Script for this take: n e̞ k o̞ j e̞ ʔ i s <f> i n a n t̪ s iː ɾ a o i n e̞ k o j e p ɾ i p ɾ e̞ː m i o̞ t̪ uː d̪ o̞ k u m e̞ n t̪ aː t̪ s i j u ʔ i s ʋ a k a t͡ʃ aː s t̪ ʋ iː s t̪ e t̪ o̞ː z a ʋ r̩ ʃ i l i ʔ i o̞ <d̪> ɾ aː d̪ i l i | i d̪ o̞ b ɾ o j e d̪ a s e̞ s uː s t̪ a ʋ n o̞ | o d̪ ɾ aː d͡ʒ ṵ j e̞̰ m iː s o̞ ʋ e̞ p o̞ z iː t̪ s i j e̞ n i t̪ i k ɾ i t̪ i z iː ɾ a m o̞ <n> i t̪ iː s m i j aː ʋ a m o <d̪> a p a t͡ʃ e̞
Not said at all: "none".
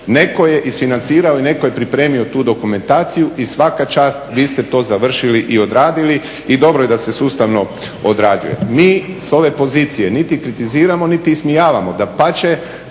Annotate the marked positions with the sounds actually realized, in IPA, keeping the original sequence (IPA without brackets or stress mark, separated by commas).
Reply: f, d̪, n, d̪